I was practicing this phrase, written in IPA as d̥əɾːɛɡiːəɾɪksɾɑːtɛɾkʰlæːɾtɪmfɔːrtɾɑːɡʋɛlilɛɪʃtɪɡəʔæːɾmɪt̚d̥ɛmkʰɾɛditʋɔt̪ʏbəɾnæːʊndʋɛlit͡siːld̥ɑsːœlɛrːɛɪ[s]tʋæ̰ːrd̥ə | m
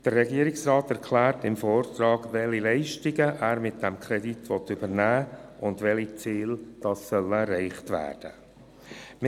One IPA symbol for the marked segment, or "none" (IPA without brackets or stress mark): χ